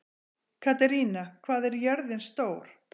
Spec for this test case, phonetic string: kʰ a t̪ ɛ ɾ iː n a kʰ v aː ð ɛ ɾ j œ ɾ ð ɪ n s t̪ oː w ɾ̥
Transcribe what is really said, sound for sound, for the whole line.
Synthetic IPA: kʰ a t̪ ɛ ɾ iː n a kʰ v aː ð ɛ ɾ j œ ɾ ð ɪ n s t̪ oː w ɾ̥